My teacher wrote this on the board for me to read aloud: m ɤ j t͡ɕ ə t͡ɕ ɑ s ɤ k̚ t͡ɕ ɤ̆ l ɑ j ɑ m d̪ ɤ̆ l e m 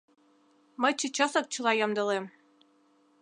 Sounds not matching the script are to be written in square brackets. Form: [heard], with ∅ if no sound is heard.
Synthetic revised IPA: m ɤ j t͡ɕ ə t͡ɕ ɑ s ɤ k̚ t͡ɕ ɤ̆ l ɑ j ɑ m d̪ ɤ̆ l e m